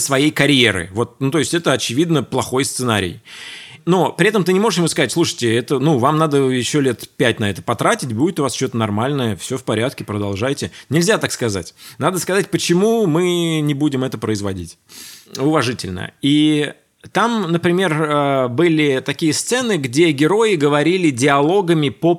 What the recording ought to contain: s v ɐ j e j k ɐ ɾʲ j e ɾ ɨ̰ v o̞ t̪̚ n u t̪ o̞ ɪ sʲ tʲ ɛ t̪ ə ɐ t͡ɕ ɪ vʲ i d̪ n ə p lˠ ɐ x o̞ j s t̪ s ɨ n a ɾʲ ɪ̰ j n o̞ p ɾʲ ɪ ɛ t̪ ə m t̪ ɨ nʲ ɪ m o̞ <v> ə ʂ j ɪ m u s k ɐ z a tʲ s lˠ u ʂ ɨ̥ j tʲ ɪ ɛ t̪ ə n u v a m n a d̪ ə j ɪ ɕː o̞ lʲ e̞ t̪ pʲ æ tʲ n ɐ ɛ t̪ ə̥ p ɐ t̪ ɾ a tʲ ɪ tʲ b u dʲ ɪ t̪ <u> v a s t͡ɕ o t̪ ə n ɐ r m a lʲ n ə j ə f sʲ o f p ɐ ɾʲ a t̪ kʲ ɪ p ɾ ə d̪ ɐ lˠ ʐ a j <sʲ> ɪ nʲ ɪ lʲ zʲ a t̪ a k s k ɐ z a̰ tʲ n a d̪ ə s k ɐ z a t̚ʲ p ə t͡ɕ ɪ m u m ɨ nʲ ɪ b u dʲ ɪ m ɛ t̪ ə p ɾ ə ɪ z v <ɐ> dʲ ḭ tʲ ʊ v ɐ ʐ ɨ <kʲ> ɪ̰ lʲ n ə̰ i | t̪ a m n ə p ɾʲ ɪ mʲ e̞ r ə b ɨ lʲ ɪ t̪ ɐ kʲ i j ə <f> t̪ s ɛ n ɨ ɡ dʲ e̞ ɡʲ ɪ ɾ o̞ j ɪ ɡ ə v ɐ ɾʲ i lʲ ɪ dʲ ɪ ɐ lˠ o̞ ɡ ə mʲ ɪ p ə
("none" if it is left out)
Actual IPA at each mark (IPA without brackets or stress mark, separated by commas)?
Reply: ʐ, ʊ, tʲ, ɐ, tʲ, s